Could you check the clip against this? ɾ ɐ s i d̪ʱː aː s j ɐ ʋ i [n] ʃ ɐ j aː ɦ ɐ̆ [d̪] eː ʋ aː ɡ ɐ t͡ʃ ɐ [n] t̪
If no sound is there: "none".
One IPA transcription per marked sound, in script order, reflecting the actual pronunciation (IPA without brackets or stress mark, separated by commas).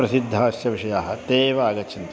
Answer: none, t̪, n